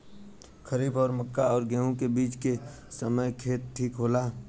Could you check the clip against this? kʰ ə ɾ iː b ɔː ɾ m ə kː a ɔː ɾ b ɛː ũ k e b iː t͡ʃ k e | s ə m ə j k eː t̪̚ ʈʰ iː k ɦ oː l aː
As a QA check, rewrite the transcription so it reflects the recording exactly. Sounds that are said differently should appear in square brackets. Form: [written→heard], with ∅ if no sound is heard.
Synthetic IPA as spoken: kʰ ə ɾ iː b ɔː ɾ m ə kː a ɔː ɾ [b→ɡ] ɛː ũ k e b iː t͡ʃ k e | s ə m ə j [k→kʰ] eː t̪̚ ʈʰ iː k ɦ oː l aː